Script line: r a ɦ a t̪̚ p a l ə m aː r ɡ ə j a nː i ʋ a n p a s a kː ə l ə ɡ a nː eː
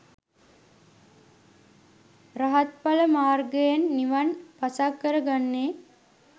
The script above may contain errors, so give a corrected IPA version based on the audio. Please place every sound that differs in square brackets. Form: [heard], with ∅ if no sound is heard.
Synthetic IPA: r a ɦ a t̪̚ p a l ə m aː r ɡ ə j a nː i ʋ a n p a s a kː ə [ɾ] ə ɡ a nː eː